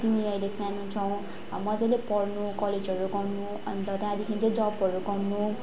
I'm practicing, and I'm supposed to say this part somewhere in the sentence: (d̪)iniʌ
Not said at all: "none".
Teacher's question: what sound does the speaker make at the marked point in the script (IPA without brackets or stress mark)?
t̪